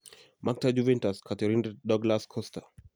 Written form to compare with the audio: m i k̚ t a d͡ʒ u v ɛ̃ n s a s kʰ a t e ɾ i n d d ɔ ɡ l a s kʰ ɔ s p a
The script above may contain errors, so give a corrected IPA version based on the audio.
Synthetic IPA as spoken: m a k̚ t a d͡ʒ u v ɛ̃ n t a s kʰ a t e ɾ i n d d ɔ ɡ l a s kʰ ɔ s t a

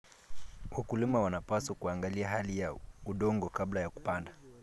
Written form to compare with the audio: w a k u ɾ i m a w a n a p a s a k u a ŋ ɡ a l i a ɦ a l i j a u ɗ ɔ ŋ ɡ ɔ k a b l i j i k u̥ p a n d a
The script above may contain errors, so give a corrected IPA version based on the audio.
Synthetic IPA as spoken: w a k u l i m a w a n a p a s a k u a ŋ ɡ a l i a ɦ a l i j a u ɗ ɔ ŋ ɡ ɔ k a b l a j a k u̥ p a n d a

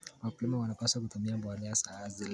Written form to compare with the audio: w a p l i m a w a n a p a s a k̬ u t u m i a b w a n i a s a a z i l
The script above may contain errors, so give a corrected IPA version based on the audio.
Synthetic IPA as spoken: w a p l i m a w a n a p a s a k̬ u t u m i a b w a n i a s a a z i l

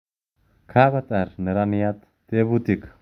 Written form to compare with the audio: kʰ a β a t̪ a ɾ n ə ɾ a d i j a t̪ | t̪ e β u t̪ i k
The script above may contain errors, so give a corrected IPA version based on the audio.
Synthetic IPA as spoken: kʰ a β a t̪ a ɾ n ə ɾ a n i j a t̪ | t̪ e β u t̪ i k

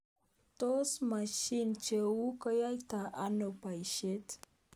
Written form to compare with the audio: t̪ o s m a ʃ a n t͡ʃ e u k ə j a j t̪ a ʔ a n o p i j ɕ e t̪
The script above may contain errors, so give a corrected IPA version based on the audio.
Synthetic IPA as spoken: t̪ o s m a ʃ i n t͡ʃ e u k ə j a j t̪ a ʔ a n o p a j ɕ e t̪

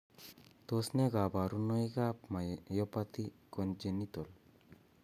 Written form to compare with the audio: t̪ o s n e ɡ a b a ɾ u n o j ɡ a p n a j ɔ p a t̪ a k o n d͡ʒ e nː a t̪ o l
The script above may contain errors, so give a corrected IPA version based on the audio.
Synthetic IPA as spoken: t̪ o s n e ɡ a b a ɾ u n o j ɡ a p m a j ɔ p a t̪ i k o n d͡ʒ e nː i t̪ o l

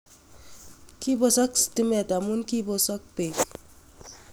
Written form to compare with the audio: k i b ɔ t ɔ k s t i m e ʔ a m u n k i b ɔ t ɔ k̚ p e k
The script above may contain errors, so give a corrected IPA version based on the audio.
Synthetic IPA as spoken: k i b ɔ s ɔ k s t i m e t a m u n k i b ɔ s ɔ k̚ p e k

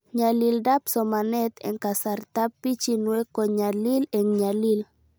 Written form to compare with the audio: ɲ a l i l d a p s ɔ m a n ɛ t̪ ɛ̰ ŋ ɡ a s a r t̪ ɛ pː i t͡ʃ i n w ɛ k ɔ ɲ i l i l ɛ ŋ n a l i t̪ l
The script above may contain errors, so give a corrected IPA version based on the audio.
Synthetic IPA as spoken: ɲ a l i l d a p s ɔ m a n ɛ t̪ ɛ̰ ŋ k a s a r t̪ a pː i t͡ʃ i n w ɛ k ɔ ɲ a l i l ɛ ŋ ɲ a l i l

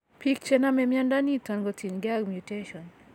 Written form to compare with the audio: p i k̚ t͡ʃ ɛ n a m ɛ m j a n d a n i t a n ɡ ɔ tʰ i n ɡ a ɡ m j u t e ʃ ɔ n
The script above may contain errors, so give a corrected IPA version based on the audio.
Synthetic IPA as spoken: p i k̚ t͡ʃ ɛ n a m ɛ m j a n d a n i t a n ɡ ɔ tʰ i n ɡ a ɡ m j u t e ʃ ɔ n

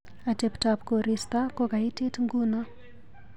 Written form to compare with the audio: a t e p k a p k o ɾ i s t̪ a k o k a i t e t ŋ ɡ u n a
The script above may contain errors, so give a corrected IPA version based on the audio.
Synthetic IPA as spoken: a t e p t a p k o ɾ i s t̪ a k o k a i t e t ŋ ɡ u n a

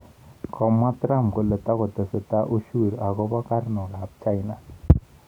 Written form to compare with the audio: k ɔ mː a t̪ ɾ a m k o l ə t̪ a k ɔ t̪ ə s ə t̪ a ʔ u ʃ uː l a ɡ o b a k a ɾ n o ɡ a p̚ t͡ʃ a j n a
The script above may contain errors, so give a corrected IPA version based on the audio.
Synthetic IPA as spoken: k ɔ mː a t̪ ɾ a m k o l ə t̪ a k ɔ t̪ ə s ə t̪ a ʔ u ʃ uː ɾ a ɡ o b a k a ɾ n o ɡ a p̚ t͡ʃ a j n a

